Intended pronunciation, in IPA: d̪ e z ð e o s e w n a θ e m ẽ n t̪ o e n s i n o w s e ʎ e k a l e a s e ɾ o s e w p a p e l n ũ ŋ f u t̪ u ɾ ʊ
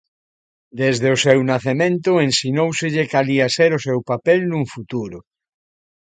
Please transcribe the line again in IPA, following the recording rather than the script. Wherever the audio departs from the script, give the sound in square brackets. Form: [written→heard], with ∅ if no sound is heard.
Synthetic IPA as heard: d̪ e z ð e o s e w n a θ e m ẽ n t̪ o e n s i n o w s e ʎ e k a l [e→i] a s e ɾ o s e w p a p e l n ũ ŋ f u t̪ u ɾ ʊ